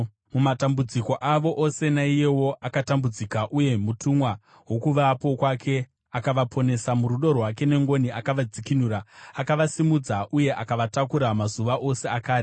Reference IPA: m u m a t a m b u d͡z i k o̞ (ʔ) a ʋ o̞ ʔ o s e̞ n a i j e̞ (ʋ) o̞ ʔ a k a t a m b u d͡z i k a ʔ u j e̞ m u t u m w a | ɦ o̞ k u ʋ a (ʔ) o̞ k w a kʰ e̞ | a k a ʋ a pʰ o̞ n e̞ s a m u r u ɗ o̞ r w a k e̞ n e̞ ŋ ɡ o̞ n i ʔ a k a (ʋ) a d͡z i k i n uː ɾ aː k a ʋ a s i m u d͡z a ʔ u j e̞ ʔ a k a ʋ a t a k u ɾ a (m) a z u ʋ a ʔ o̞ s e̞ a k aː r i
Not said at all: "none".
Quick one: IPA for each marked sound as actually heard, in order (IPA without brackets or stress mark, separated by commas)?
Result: ʔ, w, p, ʋ, m